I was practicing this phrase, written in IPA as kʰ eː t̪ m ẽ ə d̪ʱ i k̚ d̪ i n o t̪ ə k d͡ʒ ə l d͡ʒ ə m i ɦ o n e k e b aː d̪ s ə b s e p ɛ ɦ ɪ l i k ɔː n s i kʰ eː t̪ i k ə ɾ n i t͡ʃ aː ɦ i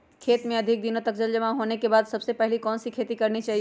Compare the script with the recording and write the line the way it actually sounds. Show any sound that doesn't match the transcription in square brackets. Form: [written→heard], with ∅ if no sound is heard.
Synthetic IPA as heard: kʰ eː t̪ m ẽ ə d̪ʱ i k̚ d̪ i n o t̪ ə k d͡ʒ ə l d͡ʒ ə m [i→a] ɦ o n e k e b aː d̪ s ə b s e p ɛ ɦ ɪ l i k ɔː n s i kʰ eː t̪ i k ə ɾ n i t͡ʃ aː ɦ i